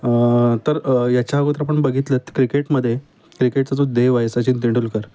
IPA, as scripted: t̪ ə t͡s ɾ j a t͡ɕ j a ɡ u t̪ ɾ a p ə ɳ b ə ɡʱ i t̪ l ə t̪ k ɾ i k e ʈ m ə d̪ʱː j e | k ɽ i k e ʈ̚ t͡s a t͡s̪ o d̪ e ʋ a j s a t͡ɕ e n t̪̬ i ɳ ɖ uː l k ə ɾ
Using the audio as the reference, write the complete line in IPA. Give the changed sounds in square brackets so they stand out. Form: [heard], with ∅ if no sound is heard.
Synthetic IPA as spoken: t̪ ə [∅] ɾ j a t͡ɕ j a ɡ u t̪ ɾ a p ə ɳ b ə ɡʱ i t̪ l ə t̪ k ɾ i k e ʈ m ə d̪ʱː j e | k [ɾ] i k e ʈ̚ t͡s a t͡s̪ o d̪ e ʋ a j s a t͡ɕ [i] n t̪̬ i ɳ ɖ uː l k ə ɾ